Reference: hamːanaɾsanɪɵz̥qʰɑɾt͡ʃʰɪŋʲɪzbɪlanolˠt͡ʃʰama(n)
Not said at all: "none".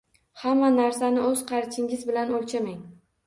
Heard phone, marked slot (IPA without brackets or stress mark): ŋ